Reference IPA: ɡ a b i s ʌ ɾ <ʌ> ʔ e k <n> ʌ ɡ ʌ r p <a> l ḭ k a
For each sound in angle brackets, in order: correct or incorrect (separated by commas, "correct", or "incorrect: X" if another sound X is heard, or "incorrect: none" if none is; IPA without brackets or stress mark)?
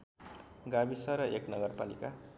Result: correct, correct, correct